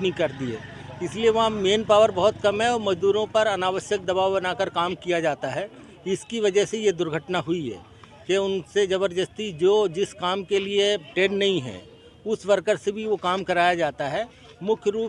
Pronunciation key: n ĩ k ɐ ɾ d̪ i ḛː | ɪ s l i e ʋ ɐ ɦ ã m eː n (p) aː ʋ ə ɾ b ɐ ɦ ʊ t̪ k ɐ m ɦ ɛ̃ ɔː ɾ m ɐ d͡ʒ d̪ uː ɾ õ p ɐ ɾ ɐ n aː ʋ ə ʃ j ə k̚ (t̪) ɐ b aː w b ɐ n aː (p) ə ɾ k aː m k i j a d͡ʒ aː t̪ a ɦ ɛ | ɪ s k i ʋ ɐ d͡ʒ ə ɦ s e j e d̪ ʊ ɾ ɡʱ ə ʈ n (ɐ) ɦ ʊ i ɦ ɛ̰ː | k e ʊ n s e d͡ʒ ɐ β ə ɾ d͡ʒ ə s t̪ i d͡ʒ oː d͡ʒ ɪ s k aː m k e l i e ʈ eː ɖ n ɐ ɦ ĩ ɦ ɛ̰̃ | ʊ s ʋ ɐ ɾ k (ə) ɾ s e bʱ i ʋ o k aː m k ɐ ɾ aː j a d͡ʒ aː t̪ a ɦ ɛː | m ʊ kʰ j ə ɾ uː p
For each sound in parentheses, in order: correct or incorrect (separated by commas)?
correct, incorrect, incorrect, incorrect, correct